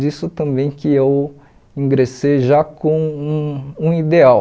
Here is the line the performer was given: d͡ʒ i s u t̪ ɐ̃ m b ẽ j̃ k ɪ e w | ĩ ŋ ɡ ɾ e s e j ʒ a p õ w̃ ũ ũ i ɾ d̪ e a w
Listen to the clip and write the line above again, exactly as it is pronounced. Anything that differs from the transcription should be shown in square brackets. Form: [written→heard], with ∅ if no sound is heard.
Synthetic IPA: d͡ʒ i s [u→ʊ] t̪ ɐ̃ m b ẽ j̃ k ɪ e w | ĩ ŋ ɡ ɾ e s e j ʒ a [p→k] õ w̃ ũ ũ i [ɾ→∅] d̪ e a w